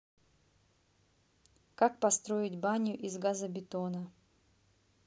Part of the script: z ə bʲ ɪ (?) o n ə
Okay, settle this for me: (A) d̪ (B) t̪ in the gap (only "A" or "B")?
B